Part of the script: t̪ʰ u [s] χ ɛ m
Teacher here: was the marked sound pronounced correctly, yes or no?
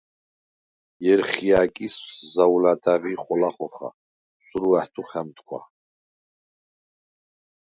no